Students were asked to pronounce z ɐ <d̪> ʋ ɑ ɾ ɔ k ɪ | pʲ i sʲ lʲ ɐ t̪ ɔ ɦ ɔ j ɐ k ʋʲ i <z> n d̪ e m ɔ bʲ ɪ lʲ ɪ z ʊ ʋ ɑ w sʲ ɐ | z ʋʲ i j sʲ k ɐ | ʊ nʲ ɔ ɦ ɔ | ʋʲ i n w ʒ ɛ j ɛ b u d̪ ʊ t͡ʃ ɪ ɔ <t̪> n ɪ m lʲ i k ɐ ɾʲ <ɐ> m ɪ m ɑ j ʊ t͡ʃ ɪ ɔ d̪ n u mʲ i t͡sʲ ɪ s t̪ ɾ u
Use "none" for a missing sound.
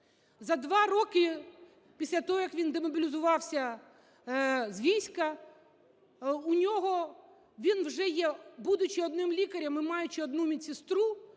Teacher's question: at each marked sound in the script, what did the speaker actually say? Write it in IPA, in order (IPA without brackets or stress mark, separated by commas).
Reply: d̪, none, d̪, ɐ